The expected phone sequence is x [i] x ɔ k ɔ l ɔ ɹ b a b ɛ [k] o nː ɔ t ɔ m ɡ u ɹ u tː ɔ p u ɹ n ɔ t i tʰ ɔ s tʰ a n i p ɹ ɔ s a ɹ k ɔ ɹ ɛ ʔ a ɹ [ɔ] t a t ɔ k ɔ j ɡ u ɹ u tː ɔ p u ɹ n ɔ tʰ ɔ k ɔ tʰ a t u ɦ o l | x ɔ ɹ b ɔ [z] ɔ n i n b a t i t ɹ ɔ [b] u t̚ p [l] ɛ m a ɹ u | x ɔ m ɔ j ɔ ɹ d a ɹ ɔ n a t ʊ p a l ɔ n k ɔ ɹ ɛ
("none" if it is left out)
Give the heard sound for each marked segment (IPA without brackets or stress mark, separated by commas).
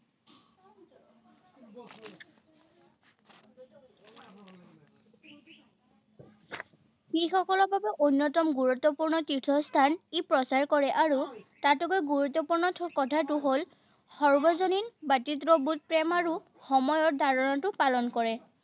i, ʔ, u, z, b, ɹ